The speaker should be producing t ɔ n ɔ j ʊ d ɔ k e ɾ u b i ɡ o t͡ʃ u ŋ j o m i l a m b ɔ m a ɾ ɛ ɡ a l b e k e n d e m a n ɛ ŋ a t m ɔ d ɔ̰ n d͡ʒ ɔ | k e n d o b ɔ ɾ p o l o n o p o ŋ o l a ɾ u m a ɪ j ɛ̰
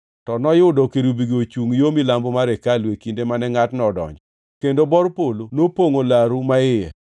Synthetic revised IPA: t ɔ n ɔ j ʊ d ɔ k e ɾ u b i ɡ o t͡ʃ u ŋ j o m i l a m b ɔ m a ɾ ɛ k a l w e k i n d e m a n ɛ ŋ a t n ɔ d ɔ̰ ɲ d͡ʒ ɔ | k e n d o b ɔ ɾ p o l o n o p o ŋ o l a ɾ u m a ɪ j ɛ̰